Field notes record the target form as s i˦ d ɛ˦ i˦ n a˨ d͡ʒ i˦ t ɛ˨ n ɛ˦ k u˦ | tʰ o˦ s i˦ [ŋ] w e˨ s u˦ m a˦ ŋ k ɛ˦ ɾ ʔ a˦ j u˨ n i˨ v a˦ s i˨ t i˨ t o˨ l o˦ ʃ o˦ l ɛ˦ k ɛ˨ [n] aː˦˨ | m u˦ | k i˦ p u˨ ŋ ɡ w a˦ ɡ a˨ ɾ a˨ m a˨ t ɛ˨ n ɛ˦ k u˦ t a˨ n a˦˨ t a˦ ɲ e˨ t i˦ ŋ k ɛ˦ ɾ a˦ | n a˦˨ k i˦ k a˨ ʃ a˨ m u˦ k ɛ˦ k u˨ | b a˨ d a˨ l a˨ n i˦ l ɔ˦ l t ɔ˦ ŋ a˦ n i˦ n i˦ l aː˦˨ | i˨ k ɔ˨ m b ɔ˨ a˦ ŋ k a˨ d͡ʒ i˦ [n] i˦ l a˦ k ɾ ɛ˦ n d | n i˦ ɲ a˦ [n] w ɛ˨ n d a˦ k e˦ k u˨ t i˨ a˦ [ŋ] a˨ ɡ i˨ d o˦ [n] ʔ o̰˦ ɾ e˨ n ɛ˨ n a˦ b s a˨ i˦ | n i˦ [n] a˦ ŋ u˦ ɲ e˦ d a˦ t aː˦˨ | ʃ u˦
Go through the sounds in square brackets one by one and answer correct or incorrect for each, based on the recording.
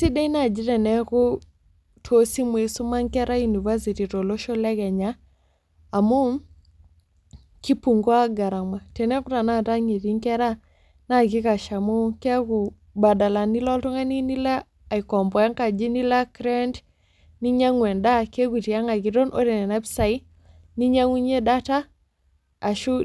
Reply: incorrect: m, incorrect: ɲ, correct, incorrect: ŋ, correct, correct, incorrect: ɲ

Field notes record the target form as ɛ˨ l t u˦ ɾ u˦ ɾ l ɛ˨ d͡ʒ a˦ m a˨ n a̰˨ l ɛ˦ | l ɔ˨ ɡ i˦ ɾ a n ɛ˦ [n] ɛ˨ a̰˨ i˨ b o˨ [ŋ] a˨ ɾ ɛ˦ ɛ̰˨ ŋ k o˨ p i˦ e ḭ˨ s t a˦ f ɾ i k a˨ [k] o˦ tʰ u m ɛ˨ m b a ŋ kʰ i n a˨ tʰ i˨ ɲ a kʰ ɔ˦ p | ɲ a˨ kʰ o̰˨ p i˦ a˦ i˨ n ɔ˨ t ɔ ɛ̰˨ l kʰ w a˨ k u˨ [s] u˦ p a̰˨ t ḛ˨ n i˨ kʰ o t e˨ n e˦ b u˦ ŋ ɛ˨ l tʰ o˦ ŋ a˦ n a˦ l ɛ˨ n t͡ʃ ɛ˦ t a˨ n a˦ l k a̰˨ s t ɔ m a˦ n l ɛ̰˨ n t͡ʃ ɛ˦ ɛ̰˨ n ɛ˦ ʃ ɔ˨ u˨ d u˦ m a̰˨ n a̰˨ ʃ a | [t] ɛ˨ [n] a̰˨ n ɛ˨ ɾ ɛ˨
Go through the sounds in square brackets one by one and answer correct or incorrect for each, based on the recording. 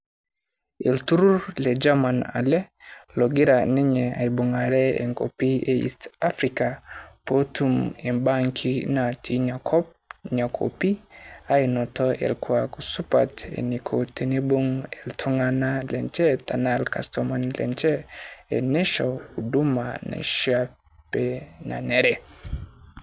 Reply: incorrect: ɲ, correct, incorrect: p, correct, incorrect: p, correct

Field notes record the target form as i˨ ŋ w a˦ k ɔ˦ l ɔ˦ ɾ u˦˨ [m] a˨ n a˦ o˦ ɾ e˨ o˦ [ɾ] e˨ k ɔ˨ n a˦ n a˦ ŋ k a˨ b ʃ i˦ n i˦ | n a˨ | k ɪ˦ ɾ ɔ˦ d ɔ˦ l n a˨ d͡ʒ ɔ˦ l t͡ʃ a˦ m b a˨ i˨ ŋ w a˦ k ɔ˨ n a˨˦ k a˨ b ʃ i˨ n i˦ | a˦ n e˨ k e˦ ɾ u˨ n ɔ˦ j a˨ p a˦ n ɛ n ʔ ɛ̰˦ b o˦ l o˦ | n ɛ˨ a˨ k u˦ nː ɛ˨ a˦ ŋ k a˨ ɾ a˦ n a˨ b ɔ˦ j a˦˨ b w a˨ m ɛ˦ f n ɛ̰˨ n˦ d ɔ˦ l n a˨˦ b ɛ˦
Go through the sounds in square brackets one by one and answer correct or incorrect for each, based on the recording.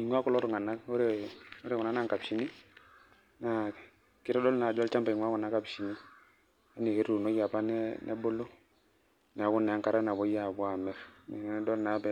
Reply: incorrect: ŋ, correct

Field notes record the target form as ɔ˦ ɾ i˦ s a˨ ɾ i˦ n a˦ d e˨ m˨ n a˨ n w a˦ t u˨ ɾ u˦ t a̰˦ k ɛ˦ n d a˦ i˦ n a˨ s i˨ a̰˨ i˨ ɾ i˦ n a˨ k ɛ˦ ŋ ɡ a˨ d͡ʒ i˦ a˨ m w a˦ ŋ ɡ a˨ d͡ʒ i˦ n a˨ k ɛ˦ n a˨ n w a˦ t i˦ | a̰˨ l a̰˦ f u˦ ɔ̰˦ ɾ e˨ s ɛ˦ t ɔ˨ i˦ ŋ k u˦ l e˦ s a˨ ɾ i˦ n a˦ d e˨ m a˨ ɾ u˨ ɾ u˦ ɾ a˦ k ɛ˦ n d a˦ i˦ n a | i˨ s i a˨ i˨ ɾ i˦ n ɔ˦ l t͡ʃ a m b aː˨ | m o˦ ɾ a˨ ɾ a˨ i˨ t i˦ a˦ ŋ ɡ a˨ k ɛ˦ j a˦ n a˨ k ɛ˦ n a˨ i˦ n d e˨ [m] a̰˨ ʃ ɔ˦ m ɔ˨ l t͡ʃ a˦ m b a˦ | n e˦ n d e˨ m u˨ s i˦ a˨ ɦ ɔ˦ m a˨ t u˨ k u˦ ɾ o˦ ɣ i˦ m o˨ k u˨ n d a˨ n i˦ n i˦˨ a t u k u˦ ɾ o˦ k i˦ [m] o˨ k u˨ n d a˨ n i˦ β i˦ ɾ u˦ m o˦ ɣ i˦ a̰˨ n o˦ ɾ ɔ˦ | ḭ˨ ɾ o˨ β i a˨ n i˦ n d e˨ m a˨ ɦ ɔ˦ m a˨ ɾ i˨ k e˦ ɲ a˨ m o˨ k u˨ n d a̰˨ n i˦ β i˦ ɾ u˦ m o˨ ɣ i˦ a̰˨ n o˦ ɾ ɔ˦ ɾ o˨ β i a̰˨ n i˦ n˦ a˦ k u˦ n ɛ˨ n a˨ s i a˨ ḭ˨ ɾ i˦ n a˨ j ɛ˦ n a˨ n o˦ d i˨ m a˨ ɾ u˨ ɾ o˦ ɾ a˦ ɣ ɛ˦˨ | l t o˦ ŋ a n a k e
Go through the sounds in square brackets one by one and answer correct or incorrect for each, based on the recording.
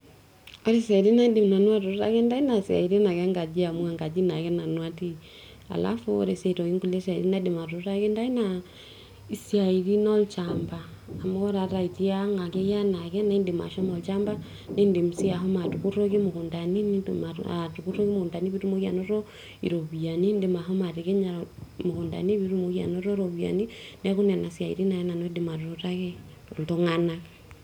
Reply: correct, correct

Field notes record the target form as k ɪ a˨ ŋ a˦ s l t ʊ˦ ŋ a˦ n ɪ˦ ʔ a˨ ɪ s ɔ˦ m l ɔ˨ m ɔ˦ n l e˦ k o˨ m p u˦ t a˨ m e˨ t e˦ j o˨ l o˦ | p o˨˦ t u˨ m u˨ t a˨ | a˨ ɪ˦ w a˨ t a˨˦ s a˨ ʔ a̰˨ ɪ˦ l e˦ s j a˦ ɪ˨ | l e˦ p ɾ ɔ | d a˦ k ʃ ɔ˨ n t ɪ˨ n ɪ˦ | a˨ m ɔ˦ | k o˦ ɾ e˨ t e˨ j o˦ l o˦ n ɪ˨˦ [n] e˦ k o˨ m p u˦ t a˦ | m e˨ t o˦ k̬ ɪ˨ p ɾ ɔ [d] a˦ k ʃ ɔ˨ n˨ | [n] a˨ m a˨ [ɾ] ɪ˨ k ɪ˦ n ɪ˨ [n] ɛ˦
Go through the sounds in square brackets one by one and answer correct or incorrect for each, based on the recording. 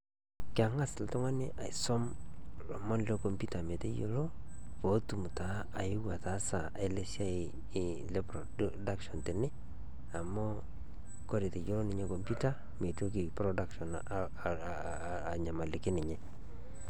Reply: incorrect: ɲ, correct, incorrect: ɲ, incorrect: l, incorrect: ɲ

